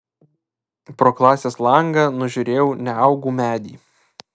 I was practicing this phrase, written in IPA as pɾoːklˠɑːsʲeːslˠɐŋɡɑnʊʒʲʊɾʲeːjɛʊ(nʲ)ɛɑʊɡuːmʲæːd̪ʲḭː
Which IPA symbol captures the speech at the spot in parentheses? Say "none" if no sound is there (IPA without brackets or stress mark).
nʲ